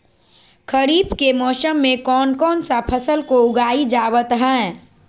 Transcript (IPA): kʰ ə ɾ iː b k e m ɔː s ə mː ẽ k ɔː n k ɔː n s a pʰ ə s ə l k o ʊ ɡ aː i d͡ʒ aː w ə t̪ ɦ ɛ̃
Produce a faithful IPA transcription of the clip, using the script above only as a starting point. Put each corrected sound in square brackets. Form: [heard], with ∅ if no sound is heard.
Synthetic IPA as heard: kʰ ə ɾ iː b k e m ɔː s ə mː ẽ k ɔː n k ɔː n s a pʰ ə s ə l k o ʊ ɡ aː i d͡ʒ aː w ə t̪ ɦ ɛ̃